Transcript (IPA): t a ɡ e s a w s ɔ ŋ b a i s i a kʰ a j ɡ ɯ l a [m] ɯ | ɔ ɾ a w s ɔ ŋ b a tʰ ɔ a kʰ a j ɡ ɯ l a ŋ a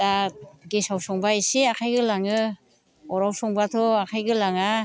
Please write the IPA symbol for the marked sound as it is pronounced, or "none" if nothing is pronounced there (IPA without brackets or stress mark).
ŋ